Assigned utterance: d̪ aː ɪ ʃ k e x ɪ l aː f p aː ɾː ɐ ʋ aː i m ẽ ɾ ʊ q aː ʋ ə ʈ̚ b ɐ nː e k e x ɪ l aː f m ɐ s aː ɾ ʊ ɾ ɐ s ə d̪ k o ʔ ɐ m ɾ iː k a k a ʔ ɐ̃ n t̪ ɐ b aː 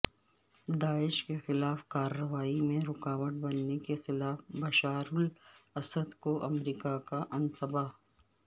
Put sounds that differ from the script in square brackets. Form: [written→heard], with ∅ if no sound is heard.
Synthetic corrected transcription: d̪ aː ɪ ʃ k e x ɪ l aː f [p→k] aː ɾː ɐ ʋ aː i m ẽ ɾ ʊ [q→k] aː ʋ ə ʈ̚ b ɐ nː e k e x ɪ l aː f [m→b] ɐ [s→ʃ] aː ɾ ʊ [ɾ→l] ɐ s ə d̪ k o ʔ ɐ m ɾ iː k a k a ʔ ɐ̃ n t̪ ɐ b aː